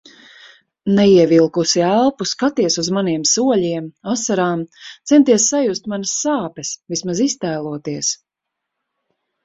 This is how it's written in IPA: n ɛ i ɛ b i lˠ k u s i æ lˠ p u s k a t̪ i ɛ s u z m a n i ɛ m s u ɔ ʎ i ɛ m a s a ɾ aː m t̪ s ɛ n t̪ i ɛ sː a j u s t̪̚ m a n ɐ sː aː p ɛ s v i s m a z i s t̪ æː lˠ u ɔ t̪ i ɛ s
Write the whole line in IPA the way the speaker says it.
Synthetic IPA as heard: n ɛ i ɛ v i lˠ k u s i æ lˠ p u s k a t̪ i ɛ s u z m a n i ɛ m s u ɔ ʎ i ɛ m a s a ɾ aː m t̪ s ɛ n t̪ i ɛ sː a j u s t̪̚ m a n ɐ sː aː p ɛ s v i s m a z i s t̪ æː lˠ u ɔ t̪ i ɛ s